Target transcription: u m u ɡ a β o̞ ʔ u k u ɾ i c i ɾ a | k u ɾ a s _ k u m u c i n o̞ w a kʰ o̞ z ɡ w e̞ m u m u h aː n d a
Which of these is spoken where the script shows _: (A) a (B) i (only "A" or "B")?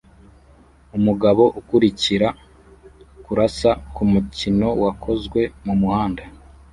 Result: A